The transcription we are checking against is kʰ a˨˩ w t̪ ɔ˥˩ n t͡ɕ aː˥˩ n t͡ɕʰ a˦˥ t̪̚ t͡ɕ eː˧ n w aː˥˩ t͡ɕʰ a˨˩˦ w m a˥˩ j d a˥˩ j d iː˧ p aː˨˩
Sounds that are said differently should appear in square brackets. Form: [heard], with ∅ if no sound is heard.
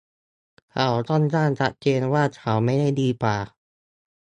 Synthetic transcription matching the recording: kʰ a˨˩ w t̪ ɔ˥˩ n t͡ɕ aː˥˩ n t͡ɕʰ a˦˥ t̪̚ t͡ɕ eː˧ n w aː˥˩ t͡ɕʰ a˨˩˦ w m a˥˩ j d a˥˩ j d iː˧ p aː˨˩

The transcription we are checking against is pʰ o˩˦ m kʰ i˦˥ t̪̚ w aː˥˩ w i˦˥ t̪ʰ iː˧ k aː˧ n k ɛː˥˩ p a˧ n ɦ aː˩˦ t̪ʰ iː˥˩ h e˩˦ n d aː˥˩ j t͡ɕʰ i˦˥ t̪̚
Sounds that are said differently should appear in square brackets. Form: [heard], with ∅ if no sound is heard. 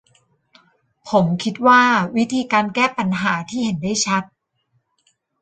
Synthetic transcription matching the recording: pʰ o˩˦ m kʰ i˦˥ t̪̚ w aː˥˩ w i˦˥ t̪ʰ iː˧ k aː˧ n k ɛː˥˩ p a˧ n ɦ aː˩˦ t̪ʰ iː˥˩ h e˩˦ n d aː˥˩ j t͡ɕʰ [a˦˥] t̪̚

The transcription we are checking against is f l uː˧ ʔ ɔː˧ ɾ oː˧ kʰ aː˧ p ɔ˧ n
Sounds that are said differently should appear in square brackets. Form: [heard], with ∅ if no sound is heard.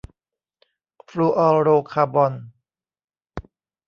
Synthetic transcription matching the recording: f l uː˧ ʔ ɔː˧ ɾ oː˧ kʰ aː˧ [b] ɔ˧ n

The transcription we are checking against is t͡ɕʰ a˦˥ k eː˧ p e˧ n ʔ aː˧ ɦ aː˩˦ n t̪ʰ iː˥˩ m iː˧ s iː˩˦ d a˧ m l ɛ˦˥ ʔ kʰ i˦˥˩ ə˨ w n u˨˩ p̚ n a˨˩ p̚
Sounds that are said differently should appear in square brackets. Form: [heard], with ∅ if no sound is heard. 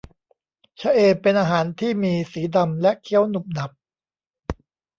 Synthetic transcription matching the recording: t͡ɕʰ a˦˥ [ʔ] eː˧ p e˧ n ʔ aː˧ ɦ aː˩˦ n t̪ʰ iː˥˩ m iː˧ s iː˩˦ d a˧ m l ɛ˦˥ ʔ kʰ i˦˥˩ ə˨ w n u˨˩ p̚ n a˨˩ p̚

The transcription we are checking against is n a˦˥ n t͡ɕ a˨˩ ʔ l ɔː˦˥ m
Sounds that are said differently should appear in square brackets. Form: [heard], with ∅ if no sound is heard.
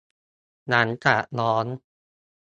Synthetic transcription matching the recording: n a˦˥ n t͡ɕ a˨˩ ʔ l ɔː˦˥ [n]

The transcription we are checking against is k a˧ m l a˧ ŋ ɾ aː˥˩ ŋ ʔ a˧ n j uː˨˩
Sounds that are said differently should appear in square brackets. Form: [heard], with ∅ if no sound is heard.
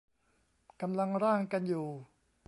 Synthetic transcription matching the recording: k a˧ m l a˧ ŋ ɾ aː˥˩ ŋ [k] a˧ n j uː˨˩

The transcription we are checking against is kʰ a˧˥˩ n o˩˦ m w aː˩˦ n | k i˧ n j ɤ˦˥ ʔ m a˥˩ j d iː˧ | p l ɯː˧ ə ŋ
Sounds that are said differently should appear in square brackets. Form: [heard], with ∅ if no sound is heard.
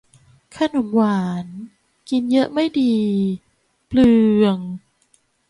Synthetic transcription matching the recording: kʰ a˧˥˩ n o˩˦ m w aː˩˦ n | k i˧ n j ɤ˦˥ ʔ m a˥˩ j d iː˧ | p l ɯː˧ ə ŋ

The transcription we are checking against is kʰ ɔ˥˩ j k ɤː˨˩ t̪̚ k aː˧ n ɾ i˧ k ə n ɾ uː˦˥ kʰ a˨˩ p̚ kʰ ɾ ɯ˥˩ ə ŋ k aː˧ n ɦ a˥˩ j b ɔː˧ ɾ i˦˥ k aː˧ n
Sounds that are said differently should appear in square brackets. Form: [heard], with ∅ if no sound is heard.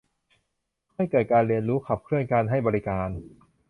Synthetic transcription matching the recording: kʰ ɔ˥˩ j k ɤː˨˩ t̪̚ k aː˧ n ɾ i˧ [∅] ə n ɾ uː˦˥ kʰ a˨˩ p̚ kʰ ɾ ɯ˥˩ ə [n] k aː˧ n ɦ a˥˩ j b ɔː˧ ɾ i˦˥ k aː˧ n

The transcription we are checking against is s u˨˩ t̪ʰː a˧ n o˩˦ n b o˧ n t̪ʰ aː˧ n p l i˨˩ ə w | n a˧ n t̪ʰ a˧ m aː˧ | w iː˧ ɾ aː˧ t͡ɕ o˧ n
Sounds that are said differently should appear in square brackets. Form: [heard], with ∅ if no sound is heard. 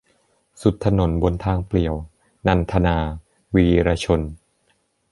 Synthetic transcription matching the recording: s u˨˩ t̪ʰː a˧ n o˩˦ n b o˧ n t̪ʰ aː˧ [ŋ] p l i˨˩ ə w | n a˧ n t̪ʰ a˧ [n] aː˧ | w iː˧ ɾ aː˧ [t͡ɕʰ] o˧ n

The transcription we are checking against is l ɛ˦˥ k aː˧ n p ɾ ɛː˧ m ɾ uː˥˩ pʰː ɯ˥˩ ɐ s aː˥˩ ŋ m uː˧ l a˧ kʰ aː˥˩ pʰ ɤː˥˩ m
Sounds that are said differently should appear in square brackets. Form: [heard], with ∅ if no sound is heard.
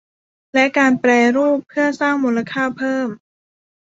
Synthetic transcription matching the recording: l ɛ˦˥ k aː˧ n p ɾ ɛː˧ [∅] ɾ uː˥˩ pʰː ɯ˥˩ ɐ s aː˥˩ ŋ m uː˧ l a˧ kʰ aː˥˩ pʰ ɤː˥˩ m

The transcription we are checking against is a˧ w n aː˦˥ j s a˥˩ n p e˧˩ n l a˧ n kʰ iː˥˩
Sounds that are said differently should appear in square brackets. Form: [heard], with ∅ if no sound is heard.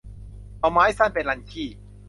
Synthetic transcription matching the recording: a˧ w [m] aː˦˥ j s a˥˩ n p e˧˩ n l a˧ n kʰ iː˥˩

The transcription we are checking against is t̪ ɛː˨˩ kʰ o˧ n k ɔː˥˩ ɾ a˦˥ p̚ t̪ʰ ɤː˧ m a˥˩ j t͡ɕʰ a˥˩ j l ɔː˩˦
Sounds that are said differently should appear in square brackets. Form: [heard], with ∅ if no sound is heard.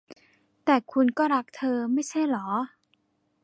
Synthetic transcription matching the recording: t̪ ɛː˨˩ kʰ [u˧] n k ɔː˥˩ ɾ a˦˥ [k̚] t̪ʰ ɤː˧ m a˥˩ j t͡ɕʰ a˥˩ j l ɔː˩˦

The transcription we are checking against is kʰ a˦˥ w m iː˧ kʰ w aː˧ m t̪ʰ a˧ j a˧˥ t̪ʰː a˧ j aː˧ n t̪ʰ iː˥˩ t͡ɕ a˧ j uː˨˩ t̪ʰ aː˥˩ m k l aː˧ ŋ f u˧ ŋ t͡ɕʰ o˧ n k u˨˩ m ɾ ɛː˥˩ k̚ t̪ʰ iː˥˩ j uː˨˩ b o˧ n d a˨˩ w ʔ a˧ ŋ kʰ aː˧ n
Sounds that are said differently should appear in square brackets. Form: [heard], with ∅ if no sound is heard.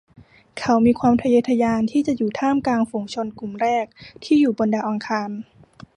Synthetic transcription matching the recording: kʰ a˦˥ w m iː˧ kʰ w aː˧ m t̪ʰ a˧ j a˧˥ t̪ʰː a˧ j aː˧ n t̪ʰ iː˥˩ t͡ɕ [a˨˩] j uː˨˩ t̪ʰ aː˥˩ m k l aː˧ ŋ f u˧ ŋ t͡ɕʰ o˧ n k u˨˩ m ɾ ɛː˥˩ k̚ t̪ʰ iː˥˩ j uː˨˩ b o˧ n d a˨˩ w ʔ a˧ ŋ kʰ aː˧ n

